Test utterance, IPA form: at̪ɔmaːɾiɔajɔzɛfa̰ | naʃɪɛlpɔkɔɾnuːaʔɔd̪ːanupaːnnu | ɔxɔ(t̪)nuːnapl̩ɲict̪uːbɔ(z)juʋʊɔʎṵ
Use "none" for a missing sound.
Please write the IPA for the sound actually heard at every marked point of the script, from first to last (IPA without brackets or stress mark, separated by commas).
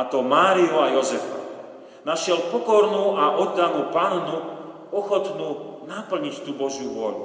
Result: t̪, ʒ